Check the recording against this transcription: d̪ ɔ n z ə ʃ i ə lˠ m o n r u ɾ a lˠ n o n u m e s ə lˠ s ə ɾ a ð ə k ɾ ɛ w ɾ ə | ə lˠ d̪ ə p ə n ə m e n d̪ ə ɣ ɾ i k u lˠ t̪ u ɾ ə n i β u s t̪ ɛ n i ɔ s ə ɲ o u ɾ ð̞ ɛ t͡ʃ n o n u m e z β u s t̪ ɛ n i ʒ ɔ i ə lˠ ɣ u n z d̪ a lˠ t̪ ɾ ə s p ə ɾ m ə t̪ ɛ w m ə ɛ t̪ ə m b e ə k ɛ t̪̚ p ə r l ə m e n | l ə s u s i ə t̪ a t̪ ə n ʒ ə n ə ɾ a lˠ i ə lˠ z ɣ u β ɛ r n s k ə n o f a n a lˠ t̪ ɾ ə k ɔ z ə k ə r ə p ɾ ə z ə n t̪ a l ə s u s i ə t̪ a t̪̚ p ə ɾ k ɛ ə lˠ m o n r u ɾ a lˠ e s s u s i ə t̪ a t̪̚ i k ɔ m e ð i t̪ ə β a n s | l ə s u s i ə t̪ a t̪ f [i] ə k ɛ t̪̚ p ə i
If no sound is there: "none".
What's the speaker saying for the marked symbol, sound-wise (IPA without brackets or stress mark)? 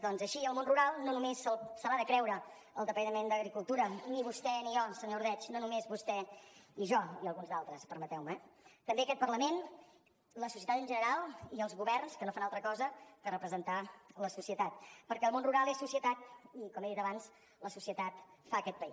a